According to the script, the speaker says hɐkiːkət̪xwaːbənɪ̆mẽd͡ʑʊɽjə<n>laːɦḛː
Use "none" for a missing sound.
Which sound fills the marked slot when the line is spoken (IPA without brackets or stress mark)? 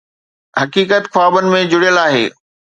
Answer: none